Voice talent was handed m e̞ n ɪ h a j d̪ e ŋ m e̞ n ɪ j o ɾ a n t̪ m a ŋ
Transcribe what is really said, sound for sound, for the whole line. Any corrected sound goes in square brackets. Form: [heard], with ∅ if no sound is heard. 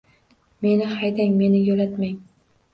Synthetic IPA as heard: m e̞ n ɪ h a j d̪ [a] ŋ m e̞ n ɪ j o [l] a [∅] t̪ m a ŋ